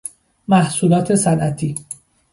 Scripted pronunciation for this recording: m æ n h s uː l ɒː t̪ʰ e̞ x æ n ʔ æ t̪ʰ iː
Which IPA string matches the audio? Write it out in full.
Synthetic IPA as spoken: m æ h s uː l ɒː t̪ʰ e̞ s æ n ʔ æ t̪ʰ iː